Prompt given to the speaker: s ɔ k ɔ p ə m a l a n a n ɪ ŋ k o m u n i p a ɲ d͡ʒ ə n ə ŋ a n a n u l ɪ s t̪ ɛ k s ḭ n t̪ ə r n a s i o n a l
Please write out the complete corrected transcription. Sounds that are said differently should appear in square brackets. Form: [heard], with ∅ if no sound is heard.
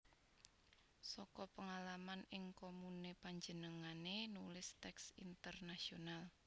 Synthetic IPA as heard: s ɔ k ɔ p ə [ŋ] a l a [m] a n ɪ ŋ k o m u n [e] p a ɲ d͡ʒ ə n ə ŋ a n [e] n u l ɪ s t̪ ɛ k s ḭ n t̪ ə r n a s i o n a l